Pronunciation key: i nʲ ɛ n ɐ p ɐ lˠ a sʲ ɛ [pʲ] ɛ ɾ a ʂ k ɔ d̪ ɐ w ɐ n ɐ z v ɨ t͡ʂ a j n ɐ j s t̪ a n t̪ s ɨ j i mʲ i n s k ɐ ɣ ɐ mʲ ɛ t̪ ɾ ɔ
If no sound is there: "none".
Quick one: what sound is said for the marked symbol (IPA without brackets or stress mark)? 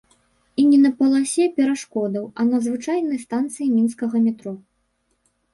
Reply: pʲ